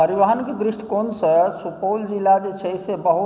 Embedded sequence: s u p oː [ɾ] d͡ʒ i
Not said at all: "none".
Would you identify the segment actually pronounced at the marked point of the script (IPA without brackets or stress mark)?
l